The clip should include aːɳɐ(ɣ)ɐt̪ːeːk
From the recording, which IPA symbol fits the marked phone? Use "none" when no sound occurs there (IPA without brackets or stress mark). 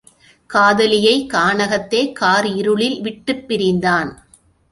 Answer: ɣ